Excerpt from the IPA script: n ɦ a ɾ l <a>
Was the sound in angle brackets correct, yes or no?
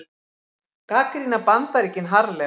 no